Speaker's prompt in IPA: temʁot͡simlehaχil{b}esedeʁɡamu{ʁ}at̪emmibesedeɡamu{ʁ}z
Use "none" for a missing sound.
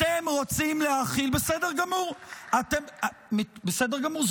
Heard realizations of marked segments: b, ʁ, ʁ

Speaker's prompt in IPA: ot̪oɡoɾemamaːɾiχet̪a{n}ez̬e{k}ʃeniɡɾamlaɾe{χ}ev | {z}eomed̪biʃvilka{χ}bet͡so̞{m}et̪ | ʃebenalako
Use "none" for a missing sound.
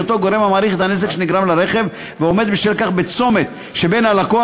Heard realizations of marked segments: n, k, χ, v, χ, m

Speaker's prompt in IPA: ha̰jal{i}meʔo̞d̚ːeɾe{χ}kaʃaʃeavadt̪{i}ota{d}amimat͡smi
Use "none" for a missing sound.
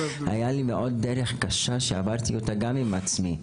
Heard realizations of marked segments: i, χ, i, ɡ

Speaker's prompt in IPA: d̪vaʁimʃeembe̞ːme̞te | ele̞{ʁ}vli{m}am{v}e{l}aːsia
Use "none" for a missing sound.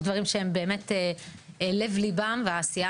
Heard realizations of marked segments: none, b, v, none

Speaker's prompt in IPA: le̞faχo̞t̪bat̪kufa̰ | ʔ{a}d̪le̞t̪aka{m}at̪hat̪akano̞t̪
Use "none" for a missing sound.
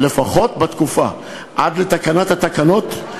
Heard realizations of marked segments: a, n

